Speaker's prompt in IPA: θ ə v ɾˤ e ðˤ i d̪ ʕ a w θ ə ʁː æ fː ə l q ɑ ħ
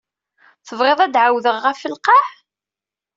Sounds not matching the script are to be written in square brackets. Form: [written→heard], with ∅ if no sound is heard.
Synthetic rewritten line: θ ə v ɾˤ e ðˤ [i→æ] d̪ ʕ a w [θ→ð] ə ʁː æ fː ə l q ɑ ħ